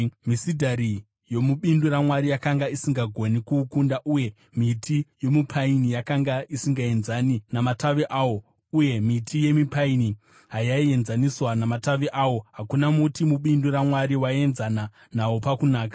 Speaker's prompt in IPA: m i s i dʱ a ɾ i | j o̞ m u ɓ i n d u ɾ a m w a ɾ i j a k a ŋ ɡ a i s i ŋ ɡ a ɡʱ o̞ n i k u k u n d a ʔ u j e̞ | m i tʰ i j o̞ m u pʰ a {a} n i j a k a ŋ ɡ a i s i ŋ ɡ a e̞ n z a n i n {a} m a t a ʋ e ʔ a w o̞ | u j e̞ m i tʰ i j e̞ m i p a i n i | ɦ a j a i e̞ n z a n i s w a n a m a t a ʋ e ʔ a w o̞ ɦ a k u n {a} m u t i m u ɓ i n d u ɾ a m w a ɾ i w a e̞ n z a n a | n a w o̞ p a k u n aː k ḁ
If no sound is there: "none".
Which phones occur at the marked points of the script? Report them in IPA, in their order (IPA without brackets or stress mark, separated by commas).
i, a, a